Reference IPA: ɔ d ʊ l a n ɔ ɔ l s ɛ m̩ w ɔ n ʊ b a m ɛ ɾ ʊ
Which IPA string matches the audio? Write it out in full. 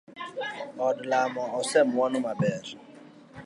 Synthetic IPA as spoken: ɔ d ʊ l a m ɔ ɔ s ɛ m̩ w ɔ n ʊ m a b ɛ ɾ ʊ

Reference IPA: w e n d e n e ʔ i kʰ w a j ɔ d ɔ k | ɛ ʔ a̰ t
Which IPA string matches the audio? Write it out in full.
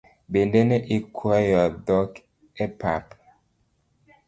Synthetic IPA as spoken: b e n d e n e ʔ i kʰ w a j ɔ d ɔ k | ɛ p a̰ p

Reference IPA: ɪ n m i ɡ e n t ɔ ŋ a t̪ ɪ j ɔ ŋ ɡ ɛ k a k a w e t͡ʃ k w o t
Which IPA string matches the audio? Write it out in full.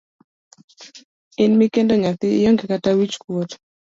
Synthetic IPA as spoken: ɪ n m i k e n d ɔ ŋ a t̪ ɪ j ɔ ŋ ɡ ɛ k a t a w i t͡ʃ k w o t

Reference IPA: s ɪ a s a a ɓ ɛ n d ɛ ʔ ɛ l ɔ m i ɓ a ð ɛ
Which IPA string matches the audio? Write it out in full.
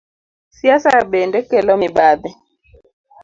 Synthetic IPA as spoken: s i a s a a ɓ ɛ n d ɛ k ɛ l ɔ m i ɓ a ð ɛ

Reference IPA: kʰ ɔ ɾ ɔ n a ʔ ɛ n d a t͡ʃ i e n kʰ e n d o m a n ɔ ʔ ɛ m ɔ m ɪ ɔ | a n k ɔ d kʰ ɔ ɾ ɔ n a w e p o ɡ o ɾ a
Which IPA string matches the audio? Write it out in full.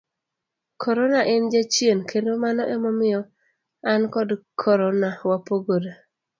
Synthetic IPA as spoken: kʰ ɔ ɾ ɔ n a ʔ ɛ n d͡ʒ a t͡ʃ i e n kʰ e n d o m a n ɔ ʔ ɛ m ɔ m ɪ ɔ | a n k ɔ d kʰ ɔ ɾ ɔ n a w a p o ɡ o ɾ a

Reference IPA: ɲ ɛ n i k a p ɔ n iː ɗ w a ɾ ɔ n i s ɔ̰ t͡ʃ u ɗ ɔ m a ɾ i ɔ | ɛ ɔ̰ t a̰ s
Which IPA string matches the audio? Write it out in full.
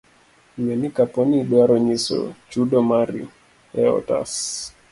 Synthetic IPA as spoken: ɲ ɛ n i k a p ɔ n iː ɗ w a ɾ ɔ ɲ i s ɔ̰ t͡ʃ u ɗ ɔ m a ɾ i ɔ | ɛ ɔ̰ t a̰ s

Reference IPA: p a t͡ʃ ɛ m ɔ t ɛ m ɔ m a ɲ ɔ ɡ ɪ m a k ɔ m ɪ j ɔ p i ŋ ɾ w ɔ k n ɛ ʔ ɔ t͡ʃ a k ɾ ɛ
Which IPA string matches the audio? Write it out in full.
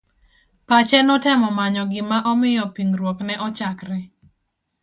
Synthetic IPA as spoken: p a t͡ʃ ɛ n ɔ t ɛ m ɔ m a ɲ ɔ ɡ ɪ m a ʔ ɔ m ɪ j ɔ p i ŋ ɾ w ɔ k n ɛ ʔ ɔ t͡ʃ a k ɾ ɛ

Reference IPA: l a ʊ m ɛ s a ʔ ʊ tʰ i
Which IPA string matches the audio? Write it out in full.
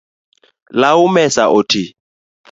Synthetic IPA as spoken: l a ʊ m ɛ s a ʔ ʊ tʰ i

